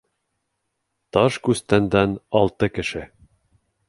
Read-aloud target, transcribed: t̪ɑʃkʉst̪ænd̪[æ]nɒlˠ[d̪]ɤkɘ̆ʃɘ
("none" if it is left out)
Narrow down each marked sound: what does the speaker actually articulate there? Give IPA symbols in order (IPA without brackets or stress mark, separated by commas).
æ, t̪